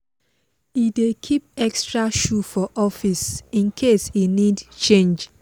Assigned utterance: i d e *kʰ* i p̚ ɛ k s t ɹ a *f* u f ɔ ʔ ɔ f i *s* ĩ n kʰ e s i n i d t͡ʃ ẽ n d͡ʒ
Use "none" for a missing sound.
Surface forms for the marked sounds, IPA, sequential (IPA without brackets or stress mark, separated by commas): kʰ, ʃ, s